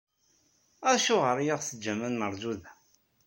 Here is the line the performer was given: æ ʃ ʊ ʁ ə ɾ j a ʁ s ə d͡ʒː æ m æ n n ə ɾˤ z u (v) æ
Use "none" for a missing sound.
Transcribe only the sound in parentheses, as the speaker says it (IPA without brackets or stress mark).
ð